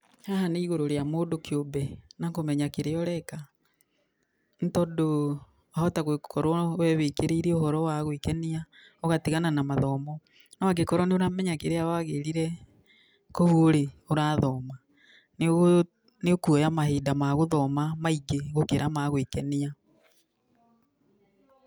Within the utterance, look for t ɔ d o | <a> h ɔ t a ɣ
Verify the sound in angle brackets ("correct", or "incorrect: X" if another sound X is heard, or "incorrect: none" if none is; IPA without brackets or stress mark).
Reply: correct